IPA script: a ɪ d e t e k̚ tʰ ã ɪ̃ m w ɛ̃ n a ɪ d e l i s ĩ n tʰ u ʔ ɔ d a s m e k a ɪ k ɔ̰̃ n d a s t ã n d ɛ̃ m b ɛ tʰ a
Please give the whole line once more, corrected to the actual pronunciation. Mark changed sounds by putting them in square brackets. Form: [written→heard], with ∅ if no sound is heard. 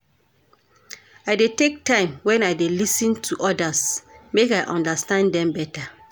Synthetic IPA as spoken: a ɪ d e t e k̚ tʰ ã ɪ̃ m w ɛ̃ n a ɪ d e l i s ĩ n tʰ u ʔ ɔ d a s m e k a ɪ [k→ʔ] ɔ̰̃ n d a s t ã n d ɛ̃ m b ɛ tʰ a